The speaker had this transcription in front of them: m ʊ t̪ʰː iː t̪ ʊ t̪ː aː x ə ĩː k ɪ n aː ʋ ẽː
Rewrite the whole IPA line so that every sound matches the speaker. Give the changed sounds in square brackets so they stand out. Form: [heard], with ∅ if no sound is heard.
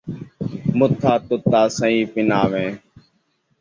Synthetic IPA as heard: m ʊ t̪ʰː [aː] t̪ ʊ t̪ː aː [s] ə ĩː [p] ɪ n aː ʋ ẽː